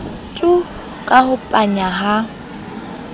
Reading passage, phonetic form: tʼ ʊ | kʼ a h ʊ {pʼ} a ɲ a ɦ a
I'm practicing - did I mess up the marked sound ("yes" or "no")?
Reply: no